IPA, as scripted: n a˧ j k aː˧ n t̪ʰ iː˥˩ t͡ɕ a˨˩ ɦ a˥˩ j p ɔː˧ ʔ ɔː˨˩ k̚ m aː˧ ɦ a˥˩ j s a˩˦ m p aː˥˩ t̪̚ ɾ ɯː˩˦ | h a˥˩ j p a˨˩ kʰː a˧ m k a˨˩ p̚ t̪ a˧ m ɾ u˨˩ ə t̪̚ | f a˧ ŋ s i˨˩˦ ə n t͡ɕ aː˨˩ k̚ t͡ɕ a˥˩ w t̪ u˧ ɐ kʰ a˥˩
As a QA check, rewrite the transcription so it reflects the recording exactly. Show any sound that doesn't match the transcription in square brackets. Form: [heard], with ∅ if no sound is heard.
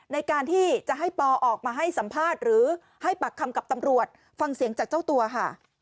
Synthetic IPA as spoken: n a˧ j k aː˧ n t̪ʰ iː˥˩ t͡ɕ a˨˩ ɦ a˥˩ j p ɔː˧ ʔ ɔː˨˩ k̚ m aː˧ ɦ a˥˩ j s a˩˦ m [pʰ] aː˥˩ t̪̚ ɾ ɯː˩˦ | h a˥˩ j p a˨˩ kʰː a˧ m k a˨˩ p̚ t̪ a˧ m ɾ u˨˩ ə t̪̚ | f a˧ ŋ s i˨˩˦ ə [ŋ] t͡ɕ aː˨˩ k̚ t͡ɕ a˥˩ w t̪ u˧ ɐ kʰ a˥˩